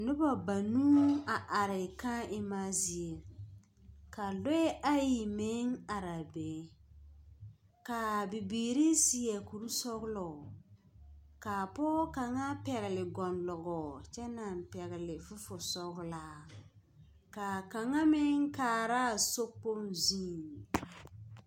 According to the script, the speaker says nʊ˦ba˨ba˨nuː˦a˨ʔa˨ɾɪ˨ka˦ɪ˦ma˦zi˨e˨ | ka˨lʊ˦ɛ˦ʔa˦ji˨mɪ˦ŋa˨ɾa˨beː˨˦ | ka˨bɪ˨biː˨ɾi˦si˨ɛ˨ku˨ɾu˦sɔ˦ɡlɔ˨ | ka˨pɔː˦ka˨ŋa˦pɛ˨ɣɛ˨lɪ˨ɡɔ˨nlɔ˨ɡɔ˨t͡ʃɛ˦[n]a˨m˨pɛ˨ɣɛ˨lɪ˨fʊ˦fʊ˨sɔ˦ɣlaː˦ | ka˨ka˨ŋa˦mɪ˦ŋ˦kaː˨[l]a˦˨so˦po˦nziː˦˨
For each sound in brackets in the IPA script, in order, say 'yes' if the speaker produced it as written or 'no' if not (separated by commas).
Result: yes, no